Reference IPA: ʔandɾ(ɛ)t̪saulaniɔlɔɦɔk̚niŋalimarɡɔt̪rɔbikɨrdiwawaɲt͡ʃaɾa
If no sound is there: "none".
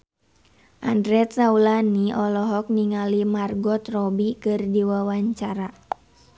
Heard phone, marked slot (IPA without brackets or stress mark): ɛ